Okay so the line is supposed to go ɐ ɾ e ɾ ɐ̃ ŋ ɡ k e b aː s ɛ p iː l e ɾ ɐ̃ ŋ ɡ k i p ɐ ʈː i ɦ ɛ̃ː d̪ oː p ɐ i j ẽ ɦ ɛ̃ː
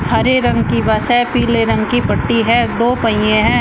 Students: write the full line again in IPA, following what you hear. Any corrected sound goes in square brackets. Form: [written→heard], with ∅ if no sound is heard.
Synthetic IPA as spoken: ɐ ɾ e ɾ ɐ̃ ŋ ɡ k [e→i] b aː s ɛ p iː l e ɾ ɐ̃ ŋ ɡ k i p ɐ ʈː i ɦ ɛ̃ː d̪ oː p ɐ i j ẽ ɦ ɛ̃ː